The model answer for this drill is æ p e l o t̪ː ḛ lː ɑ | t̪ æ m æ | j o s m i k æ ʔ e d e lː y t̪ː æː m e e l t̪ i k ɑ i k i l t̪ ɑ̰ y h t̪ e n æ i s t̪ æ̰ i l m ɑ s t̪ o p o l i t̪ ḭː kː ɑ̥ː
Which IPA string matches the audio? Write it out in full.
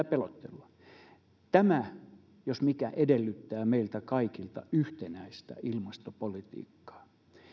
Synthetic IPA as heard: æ p e l o t̪ː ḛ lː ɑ | t̪ æ m æ | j o s m i k æ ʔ e d e lː y t̪ː æː m e i l t̪ æ k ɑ i k i l t̪ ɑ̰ y h t̪ e n æ i s t̪ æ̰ i l m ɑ s t̪ o p o l i t̪ ḭː kː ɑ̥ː